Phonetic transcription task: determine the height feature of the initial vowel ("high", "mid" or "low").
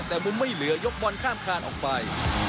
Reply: mid